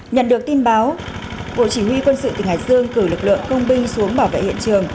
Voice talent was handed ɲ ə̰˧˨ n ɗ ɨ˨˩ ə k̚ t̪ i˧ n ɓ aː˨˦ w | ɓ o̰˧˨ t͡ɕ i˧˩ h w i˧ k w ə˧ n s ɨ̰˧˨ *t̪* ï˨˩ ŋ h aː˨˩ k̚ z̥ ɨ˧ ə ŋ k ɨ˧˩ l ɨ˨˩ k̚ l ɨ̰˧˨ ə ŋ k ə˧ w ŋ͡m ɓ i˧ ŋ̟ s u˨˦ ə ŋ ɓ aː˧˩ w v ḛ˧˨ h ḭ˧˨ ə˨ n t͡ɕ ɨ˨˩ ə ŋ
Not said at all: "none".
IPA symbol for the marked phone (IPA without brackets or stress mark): t̪